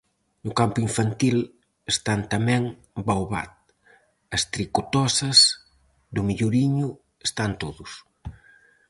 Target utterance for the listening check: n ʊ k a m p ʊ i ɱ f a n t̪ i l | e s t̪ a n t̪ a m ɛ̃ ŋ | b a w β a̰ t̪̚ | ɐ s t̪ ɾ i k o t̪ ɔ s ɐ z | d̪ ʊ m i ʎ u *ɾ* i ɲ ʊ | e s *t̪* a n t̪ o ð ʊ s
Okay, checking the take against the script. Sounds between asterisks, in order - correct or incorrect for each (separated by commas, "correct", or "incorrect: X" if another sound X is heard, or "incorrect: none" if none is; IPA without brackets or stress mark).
correct, correct